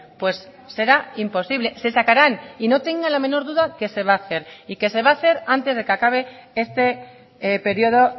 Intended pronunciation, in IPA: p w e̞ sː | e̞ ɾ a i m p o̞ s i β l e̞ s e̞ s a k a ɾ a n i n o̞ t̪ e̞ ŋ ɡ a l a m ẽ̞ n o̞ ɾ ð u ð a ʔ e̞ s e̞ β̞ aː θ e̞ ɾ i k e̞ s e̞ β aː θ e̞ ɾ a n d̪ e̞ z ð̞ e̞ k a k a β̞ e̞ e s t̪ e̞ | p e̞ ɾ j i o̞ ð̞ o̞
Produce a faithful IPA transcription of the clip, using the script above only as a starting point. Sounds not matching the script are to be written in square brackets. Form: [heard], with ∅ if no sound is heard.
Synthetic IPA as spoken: p w e̞ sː | e̞ ɾ a i m p o̞ s i β l e̞ s e̞ s a k a ɾ a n i n o̞ t̪ e̞ ŋ ɡ a l a m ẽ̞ n o̞ ɾ ð u ð a [k] e̞ s e̞ β̞ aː θ e̞ ɾ i k e̞ s e̞ β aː θ e̞ ɾ a n [t̪] e̞ z ð̞ e̞ k a k a β̞ e̞ e s t̪ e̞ | p e̞ ɾ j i o̞ ð̞ o̞